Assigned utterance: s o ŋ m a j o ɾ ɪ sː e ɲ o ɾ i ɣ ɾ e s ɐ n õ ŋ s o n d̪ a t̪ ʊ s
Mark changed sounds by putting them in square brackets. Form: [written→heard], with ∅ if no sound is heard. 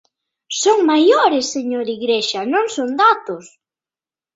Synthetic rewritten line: s o ŋ m a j o ɾ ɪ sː e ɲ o ɾ i ɣ ɾ e [s→ʃ] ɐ n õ ŋ s o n d̪ a t̪ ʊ s